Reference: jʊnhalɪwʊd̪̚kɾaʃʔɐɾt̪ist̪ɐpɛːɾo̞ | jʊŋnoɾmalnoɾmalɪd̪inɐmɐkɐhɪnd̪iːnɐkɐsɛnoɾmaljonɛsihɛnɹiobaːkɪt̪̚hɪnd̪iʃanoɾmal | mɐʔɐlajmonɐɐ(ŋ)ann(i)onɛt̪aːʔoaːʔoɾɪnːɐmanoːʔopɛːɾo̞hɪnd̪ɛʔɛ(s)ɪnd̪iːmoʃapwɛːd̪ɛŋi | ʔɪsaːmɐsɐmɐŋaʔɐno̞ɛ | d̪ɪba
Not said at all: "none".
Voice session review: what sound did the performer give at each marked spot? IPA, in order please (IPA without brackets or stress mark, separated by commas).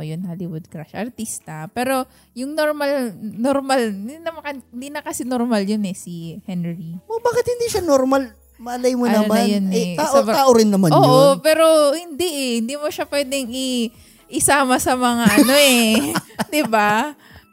m, j, h